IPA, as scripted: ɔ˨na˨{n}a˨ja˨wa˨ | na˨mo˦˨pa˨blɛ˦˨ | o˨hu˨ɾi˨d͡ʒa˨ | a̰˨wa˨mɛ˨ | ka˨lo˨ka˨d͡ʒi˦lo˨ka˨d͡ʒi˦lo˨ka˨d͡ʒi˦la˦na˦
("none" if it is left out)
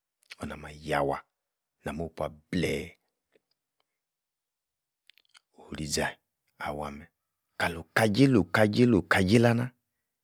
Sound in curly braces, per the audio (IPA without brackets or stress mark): m